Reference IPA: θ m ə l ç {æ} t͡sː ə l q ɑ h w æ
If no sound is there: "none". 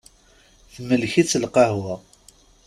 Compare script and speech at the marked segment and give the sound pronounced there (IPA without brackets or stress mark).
i